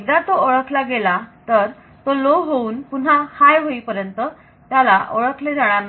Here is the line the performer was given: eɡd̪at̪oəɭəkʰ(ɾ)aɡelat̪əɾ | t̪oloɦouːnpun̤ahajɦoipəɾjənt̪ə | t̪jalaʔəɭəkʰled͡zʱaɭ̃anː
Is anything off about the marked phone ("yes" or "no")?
yes